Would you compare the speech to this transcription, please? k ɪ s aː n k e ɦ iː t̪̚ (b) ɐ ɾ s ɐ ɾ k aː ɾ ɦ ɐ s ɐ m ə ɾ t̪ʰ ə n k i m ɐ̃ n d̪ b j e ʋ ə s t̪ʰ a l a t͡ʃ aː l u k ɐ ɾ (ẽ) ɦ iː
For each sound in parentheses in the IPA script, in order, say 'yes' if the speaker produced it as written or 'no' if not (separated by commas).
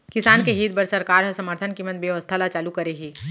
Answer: yes, no